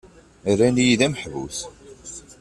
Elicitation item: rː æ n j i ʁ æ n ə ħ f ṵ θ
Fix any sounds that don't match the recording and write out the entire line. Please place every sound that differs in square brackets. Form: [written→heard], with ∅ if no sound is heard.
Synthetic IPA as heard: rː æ n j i [ʁ→ð] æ [n→m] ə ħ [f→v] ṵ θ